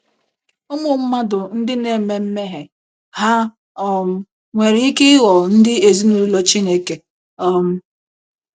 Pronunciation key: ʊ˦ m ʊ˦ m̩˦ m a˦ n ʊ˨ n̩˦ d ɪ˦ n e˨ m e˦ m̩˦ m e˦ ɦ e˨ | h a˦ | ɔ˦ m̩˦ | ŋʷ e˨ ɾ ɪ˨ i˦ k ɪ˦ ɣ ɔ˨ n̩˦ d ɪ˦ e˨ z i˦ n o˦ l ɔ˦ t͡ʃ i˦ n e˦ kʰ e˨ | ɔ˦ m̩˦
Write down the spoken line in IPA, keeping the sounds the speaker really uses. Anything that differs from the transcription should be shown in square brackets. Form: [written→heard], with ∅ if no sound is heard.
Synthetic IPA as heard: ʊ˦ m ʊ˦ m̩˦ m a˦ [n→d] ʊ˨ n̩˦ d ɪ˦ n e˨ m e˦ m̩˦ m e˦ ɦ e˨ | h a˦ | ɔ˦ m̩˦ | ŋʷ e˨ ɾ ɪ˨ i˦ k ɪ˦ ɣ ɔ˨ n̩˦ d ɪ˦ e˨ z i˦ n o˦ l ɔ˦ t͡ʃ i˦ n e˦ [kʰ→k] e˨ | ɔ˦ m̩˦